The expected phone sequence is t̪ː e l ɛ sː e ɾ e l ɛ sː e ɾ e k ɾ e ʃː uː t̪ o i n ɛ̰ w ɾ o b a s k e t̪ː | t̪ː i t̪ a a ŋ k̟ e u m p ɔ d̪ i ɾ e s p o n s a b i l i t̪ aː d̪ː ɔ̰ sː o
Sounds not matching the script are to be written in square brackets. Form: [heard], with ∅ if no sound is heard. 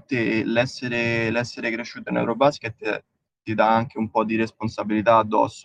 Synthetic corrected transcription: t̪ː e l ɛ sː e ɾ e l ɛ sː e ɾ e k ɾ e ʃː uː t̪ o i n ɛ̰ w ɾ o b a s k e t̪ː | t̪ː i [d̪] a a ŋ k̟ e u m p ɔ d̪ i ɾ e s p o n s a b i l i t̪ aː d̪ː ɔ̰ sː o